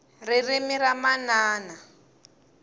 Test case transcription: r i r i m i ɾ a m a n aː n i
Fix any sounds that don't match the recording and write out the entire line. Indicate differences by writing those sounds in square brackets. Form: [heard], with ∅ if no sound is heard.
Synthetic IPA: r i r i m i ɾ a m a n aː n [a]